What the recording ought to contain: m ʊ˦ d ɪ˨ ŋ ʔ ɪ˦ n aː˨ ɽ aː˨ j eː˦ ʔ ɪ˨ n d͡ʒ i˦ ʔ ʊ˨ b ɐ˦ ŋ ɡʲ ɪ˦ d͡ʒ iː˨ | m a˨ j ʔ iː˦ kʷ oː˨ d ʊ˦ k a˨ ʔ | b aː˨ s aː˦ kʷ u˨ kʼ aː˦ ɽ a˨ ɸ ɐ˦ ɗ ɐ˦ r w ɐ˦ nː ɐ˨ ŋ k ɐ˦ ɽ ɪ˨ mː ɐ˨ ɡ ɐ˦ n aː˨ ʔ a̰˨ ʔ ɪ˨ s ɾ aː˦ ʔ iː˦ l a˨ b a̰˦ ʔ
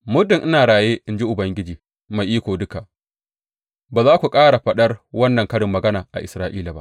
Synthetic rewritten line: m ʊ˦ d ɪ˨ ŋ ʔ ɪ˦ n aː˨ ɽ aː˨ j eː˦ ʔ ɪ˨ n d͡ʒ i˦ ʔ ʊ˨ b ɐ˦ ŋ ɡʲ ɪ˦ d͡ʒ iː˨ | m a˨ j ʔ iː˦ kʷ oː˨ d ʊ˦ k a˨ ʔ | b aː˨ z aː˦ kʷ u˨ kʼ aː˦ ɽ a˨ ɸ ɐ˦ ɗ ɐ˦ r w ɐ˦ nː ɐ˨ ŋ k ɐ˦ ɽ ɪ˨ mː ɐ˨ ɡ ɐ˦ n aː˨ ʔ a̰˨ ʔ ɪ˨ s ɾ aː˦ ʔ iː˦ l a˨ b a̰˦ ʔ

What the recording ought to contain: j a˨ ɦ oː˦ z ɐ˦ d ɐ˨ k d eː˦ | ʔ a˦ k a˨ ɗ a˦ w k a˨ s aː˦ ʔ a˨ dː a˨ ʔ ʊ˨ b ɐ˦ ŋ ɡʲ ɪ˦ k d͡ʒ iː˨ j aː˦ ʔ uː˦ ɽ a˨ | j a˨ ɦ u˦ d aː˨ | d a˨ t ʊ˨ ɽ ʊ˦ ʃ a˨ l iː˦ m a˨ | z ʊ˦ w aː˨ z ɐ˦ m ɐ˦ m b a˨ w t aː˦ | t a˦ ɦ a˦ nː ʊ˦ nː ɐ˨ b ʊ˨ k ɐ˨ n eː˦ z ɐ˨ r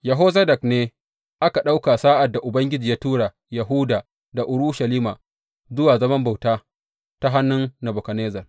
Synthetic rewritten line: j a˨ ɦ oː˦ z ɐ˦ d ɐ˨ k n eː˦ | ʔ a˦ k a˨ ɗ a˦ w k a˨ s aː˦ ʔ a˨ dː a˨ ʔ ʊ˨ b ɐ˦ ŋ ɡʲ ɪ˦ d͡ʒ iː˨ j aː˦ t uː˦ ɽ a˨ | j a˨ ɦ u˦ d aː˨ | d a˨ ʔ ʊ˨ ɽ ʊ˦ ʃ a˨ l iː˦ m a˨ | z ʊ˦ w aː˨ z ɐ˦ m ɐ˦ m b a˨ w t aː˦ | t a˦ ɦ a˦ nː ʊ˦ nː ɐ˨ b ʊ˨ k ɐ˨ n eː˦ z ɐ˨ r

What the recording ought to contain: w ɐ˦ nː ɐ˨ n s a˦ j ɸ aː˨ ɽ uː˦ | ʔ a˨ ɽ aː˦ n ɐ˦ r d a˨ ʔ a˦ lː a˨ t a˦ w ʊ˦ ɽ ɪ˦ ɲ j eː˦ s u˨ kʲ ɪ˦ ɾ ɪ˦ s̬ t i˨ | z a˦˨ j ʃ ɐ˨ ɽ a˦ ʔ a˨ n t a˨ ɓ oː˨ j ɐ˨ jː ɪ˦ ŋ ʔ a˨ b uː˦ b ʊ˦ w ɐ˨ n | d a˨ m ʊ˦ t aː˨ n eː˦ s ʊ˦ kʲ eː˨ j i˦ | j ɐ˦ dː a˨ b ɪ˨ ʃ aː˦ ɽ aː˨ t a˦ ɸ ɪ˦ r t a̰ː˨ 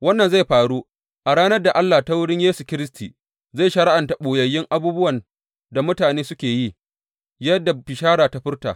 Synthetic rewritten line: w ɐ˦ nː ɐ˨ n z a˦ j ɸ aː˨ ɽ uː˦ | ʔ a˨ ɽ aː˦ n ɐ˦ r d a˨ ʔ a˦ lː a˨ t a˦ w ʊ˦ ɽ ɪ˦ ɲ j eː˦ s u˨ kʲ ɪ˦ ɾ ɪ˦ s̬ t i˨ | z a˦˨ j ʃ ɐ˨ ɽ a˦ ʔ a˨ n t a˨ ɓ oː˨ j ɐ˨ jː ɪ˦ ŋ ʔ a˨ b uː˦ b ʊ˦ w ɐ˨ n | d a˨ m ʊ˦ t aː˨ n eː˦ s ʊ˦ kʲ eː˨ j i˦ | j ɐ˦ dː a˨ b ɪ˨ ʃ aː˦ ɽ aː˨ t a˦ ɸ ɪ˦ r t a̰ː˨

